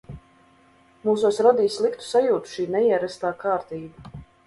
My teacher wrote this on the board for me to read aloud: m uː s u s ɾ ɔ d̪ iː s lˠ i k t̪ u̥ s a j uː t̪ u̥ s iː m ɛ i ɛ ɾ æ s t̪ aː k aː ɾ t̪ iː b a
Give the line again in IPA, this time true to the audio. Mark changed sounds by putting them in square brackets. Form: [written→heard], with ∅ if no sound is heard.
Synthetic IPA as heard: m uː s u s ɾ ɔ d̪ iː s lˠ i k t̪ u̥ s a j uː t̪ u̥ [s→ʃ] iː [m→n] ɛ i ɛ ɾ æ s t̪ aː k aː ɾ t̪ iː b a